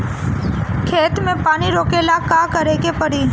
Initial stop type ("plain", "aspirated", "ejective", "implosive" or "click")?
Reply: aspirated